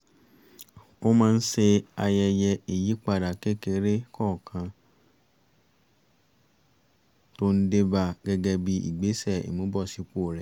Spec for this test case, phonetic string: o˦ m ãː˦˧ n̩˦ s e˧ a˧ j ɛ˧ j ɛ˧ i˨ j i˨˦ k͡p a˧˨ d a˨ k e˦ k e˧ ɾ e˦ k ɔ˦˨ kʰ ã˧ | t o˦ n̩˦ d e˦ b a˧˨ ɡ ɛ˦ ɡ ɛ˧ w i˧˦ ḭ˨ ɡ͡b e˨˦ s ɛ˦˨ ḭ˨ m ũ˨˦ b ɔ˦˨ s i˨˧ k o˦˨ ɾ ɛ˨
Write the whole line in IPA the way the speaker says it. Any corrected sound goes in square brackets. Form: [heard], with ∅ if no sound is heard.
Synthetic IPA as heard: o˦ m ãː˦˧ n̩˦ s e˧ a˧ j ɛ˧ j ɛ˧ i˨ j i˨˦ k͡p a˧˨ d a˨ k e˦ k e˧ ɾ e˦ k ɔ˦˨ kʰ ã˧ | t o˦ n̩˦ d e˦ b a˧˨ ɡ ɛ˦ ɡ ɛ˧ [b] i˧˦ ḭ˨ ɡ͡b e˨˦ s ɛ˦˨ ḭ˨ m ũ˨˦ b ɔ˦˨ s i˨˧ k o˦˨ ɾ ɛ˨